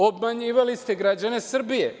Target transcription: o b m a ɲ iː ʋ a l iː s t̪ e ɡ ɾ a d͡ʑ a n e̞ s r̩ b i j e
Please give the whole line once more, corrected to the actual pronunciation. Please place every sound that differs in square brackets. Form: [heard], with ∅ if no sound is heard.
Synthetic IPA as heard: o b m a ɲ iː ʋ a l [i] s t̪ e ɡ ɾ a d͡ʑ a n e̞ s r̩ b i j e